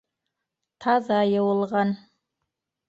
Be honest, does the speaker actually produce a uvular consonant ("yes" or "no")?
yes